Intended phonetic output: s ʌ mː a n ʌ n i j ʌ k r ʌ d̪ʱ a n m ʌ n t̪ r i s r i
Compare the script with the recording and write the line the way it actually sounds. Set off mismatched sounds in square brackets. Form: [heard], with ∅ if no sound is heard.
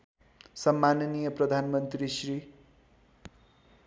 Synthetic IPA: s ʌ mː a n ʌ n i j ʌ [p] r ʌ d̪ʱ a n m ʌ n t̪ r i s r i